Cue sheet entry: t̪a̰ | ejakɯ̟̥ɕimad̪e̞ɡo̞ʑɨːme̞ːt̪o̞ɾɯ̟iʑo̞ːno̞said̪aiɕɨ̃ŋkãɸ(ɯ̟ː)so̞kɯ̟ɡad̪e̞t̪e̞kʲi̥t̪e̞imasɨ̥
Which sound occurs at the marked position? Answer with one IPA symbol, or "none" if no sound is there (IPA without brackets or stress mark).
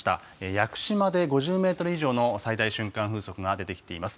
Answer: ɯ̟ː